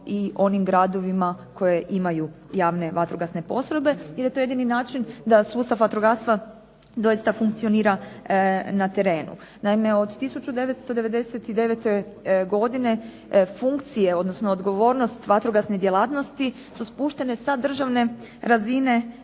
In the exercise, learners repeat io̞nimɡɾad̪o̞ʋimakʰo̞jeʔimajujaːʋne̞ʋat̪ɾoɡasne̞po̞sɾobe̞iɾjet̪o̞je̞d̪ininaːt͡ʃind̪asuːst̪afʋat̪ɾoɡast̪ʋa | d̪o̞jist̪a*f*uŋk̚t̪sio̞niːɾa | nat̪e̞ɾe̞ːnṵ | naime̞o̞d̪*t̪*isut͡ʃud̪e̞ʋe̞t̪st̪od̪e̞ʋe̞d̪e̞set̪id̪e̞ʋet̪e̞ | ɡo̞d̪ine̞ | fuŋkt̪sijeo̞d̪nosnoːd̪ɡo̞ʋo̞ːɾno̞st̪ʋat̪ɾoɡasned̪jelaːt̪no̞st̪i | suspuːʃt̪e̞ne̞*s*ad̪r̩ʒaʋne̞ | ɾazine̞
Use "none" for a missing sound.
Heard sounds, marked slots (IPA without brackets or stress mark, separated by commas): f, t̪, s